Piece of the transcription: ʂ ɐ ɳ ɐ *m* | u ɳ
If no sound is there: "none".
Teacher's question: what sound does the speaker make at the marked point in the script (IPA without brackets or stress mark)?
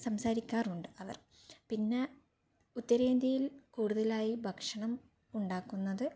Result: m